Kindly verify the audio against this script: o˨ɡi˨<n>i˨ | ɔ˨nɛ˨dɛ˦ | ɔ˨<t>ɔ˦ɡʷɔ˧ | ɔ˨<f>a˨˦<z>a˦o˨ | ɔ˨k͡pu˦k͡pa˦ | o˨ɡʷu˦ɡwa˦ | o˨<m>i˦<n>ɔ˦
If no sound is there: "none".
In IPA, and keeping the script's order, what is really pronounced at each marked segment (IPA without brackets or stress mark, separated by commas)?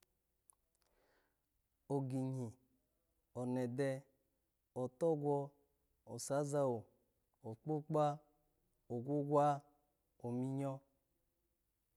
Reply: ɲ, t, s, z, m, ɲ